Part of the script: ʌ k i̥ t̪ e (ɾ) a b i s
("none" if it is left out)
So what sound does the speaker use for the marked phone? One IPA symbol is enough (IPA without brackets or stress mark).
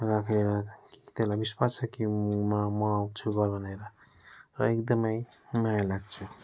l